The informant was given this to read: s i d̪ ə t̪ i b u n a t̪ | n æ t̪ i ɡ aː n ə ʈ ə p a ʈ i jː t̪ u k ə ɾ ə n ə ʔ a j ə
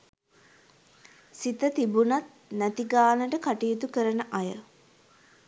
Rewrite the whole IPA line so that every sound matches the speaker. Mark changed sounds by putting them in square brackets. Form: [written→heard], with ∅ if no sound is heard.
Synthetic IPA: s i [d̪→t̪] ə t̪ i b u n a t̪ | n æ t̪ i ɡ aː n ə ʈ ə [p→k] a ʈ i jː t̪ u k ə ɾ ə n ə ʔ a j ə